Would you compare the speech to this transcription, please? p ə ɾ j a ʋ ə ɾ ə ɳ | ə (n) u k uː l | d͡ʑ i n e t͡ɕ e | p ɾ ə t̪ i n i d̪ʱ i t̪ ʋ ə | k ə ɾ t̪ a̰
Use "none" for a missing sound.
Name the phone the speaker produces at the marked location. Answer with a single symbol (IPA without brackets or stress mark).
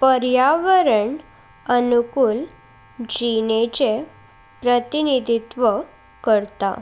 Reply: n